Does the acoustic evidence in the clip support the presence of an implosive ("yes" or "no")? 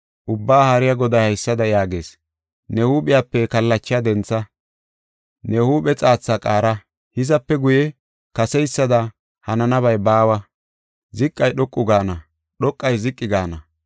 yes